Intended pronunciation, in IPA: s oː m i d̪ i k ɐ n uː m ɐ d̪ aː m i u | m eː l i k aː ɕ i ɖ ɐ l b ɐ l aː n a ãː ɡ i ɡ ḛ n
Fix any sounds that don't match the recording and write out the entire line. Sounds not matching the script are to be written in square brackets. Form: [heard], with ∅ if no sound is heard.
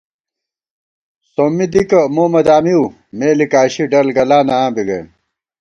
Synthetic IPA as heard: s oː m i d̪ i k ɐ [m] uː m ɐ d̪ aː m i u | m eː l i k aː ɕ i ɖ ɐ l [ɡ] ɐ l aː n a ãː [b] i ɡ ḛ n